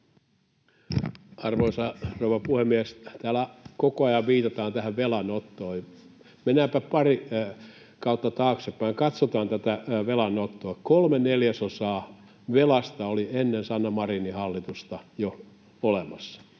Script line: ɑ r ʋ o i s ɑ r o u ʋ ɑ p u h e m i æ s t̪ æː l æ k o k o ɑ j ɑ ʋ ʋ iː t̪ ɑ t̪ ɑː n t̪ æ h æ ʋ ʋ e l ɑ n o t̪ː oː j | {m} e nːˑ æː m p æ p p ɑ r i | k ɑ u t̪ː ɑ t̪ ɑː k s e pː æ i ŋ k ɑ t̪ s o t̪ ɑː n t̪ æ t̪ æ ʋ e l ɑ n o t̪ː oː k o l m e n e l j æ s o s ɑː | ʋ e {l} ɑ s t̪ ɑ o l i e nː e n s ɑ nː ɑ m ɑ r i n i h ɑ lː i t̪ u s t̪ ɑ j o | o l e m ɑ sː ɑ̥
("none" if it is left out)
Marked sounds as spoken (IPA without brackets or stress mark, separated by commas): m, l